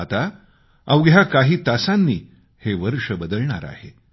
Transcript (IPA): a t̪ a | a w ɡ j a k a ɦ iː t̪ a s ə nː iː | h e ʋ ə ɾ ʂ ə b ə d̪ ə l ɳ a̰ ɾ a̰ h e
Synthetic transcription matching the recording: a t̪ a | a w ɡ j a k a ɦ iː t̪ a s a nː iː | h e ʋ ə ɾ ʂ ə b ə d̪ ə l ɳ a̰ ɾ a̰ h e

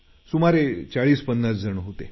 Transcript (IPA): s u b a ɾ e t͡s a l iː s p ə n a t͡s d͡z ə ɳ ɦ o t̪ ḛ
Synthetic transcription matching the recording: s u m a ɾ e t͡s a ɭ iː s p ə nː a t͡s d͡z ə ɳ ɦ o t̪ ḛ

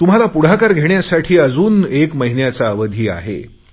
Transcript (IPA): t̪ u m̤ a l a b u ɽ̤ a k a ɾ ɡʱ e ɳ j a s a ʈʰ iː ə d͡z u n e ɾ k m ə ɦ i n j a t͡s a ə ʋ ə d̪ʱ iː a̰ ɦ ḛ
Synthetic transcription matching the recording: t̪ u m̤ a l a p u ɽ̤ a k a ɾ ɡʱ e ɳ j a s a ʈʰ iː ə d͡z uː n e k m ə ɦ i n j a t͡s a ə ʋ ə d̪ʱ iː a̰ ɦ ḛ

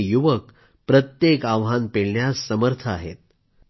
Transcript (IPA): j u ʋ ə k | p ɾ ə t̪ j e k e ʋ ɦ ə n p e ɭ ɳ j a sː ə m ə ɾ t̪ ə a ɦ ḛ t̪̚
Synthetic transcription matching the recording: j u ʋ ə k | p ɾ ə t̪ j e k a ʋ ɦ a n p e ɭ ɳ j a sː ə m ə ɾ t̪ʰ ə a ɦ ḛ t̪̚

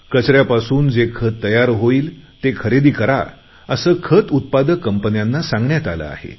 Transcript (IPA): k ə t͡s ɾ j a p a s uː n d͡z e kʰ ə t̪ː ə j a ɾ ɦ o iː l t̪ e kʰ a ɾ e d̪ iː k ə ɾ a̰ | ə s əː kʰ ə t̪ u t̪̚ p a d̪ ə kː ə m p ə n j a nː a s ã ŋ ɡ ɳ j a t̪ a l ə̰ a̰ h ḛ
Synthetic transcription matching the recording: k ə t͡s ɾ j a p a s uː n d͡z e kʰ ə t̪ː ə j a ɾ ɦ o iː l t̪ e kʰ ə ɾ e d̪ iː k ə ɾ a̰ | ə s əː kʰ ə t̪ u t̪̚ p a d̪ ə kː ə m p ə n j a nː a s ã ŋ ɡ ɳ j a t̪ a l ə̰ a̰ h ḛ

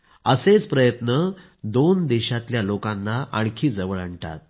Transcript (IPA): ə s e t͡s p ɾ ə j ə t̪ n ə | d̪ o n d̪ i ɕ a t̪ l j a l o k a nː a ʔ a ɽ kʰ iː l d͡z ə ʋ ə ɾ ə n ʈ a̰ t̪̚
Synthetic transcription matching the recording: ə s e t͡s p ɾ ə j ə t̪ n ə | d̪ o n d̪ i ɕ a t̪ l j a l o k a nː a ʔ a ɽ kʰ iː d͡z ə ʋ ə ɭ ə ɳ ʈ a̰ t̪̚

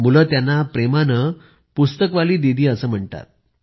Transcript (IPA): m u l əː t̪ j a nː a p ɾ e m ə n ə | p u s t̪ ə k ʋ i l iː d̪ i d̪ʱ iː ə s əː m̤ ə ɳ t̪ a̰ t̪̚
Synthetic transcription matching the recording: m u l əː t̪ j a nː a p ɾ e m a n ə | p u s t̪ ə k ʋ a l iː d̪ i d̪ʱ iː ə s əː m̤ ə ɳ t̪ a̰ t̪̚

